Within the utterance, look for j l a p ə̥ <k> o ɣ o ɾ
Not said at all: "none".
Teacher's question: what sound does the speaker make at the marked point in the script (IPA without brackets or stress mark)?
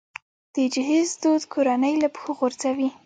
x